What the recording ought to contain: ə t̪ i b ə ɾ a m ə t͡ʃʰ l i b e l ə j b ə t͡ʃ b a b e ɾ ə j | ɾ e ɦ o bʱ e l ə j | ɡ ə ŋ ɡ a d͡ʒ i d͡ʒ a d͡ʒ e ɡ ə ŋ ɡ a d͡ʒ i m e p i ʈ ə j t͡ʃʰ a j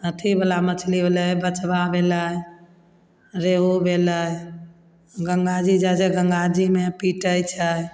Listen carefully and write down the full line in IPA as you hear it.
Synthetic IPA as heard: ə t̪ʰ i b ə l a m ə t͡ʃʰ l i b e l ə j b ə t͡ʃ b a b e l ə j | ɾ e ɦ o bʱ e l ə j | ɡ ə ŋ ɡ a d͡ʒ i d͡ʒ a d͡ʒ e ɡ ə ŋ ɡ a d͡ʒ i m e p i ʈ ə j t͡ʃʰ ə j